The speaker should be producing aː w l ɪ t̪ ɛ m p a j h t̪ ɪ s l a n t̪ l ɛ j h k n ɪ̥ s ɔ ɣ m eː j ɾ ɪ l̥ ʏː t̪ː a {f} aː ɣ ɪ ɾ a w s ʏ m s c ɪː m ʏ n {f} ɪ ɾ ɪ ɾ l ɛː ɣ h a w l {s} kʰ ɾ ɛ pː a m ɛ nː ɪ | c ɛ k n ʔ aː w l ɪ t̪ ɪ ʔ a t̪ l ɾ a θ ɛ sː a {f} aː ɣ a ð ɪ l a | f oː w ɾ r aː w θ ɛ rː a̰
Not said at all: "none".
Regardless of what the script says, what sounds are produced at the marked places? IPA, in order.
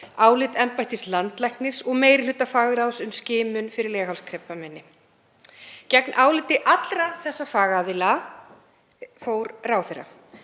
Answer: f, f, s, f

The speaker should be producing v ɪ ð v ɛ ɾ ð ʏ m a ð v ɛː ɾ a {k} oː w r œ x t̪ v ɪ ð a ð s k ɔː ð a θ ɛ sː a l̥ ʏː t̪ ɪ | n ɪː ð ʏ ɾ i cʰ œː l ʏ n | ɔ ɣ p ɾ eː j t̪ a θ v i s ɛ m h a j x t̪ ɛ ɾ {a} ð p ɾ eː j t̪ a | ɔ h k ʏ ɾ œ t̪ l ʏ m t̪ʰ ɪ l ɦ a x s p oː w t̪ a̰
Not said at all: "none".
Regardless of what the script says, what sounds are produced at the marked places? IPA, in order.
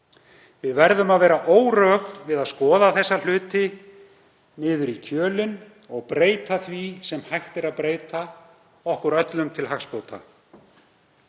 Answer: ʔ, a

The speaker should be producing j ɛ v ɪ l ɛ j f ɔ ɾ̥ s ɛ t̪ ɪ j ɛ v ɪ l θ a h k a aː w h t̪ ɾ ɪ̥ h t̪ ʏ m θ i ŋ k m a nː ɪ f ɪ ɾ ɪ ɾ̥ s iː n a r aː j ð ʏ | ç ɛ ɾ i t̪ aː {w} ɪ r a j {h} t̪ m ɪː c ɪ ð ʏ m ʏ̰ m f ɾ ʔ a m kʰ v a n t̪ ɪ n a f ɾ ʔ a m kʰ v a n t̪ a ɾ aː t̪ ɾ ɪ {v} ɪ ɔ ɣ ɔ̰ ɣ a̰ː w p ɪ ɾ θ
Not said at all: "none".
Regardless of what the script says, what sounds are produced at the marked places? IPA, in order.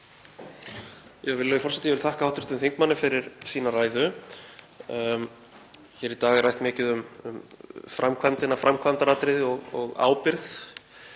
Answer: ɣ, h, ð

